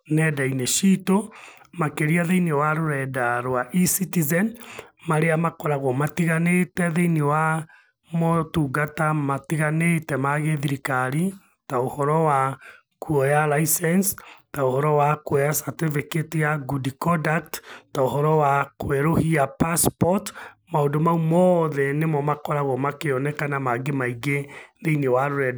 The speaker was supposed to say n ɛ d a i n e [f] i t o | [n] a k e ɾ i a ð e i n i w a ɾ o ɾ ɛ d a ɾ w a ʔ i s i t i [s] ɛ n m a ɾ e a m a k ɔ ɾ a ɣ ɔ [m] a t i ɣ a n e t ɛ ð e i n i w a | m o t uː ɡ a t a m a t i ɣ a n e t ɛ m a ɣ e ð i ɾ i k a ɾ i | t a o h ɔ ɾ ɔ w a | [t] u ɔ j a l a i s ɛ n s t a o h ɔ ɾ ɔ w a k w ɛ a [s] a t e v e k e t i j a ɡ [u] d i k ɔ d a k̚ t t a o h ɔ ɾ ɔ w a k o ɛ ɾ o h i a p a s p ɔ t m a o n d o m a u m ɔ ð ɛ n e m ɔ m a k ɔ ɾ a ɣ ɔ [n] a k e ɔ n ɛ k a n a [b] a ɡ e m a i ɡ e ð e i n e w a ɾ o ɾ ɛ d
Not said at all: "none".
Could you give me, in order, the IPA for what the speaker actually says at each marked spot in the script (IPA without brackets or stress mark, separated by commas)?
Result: ʃ, m, z, m, k, s, u, m, m